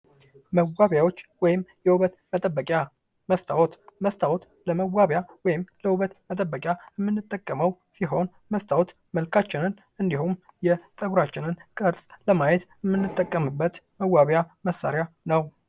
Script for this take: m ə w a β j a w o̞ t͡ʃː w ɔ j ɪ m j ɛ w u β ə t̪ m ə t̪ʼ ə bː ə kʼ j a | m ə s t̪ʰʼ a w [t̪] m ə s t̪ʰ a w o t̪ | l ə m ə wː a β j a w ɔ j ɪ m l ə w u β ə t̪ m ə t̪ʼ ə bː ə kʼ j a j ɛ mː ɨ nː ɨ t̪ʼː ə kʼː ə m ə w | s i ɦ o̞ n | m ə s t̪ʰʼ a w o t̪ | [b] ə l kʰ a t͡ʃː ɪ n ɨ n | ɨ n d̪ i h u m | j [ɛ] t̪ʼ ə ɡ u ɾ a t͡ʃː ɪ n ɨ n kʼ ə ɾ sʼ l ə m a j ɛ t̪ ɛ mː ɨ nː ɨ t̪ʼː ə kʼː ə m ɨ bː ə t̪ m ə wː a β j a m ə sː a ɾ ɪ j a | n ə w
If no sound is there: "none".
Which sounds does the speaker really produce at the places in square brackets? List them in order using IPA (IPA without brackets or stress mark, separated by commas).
t̪, m, ɛ